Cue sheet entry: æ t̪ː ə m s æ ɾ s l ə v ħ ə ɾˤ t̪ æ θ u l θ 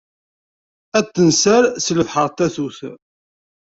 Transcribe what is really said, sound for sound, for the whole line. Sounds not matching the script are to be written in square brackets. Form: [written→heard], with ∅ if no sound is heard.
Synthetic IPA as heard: æ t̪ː ə [m→n] s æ ɾ s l ə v ħ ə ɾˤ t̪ æ θ u [l→∅] θ